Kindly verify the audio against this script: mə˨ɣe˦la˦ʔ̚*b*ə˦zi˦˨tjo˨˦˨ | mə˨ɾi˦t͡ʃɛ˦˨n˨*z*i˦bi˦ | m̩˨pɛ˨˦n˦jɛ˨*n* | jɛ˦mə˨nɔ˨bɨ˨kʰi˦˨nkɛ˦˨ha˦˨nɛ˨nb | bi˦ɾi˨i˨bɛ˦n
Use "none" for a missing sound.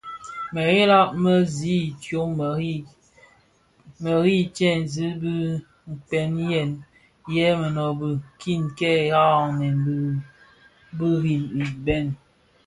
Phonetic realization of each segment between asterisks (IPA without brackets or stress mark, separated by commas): m, z, n